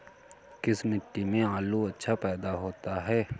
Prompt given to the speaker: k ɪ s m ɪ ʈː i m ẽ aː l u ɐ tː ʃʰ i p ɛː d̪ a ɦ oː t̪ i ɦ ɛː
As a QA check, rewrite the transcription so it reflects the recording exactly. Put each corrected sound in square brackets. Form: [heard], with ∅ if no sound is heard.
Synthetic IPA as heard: k ɪ s m ɪ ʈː i m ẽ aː l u ɐ tː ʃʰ [a] p ɛː d̪ a ɦ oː t̪ [a] ɦ ɛː